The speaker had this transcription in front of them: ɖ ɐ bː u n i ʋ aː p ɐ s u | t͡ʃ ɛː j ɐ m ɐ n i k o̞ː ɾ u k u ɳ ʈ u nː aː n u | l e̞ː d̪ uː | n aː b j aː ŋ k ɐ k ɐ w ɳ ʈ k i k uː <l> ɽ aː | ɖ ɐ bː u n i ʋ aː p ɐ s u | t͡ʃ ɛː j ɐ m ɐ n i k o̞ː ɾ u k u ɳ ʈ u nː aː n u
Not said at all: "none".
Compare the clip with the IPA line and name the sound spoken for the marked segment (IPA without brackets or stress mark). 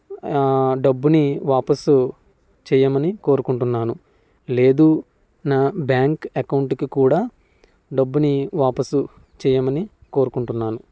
none